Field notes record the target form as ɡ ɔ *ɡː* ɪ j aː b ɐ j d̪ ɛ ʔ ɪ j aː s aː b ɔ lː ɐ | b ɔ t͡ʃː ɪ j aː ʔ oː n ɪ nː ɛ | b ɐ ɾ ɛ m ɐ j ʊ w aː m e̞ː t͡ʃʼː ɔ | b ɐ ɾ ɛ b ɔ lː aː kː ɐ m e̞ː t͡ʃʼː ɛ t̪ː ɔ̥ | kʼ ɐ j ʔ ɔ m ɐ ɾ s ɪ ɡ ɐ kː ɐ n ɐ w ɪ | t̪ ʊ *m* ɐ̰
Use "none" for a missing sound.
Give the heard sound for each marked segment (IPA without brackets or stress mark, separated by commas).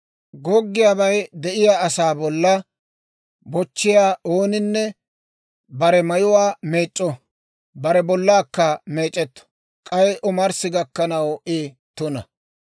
ɡː, n